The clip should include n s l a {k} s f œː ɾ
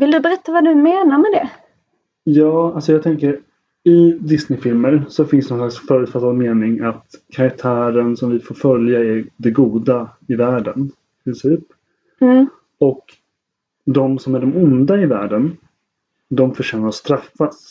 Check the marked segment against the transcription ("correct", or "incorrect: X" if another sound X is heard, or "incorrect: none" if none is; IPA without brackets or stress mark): correct